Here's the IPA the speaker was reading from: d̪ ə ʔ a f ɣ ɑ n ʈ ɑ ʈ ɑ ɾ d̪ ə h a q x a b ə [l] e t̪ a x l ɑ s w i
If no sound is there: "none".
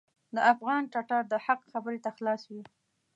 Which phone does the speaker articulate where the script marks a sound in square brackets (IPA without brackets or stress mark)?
ɾ